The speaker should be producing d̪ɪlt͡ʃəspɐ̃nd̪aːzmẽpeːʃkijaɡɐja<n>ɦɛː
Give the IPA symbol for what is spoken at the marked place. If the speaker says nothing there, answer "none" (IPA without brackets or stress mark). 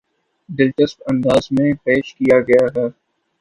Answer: none